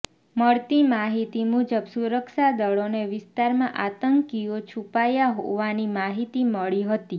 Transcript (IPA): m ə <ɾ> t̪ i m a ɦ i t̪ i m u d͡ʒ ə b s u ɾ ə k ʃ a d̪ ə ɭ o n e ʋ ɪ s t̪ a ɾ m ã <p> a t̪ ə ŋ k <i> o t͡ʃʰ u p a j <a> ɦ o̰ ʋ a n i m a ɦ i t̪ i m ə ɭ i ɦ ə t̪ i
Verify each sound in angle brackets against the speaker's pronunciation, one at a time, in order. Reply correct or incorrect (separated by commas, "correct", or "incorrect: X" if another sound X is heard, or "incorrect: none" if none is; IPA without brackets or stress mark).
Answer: incorrect: ɭ, incorrect: ʔ, correct, correct